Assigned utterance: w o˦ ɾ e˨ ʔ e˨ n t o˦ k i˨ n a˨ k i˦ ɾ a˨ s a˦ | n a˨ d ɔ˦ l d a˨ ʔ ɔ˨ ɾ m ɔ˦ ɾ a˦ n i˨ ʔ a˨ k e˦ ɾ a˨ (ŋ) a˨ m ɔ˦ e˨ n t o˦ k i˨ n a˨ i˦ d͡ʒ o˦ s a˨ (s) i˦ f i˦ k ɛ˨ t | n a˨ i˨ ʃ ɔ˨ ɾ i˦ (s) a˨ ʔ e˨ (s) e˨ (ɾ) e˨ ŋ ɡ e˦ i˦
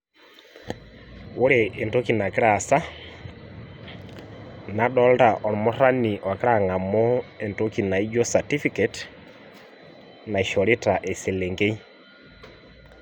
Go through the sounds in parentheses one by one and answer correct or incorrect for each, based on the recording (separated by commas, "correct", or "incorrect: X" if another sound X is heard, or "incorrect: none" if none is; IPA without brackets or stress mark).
correct, incorrect: t, incorrect: t, correct, incorrect: l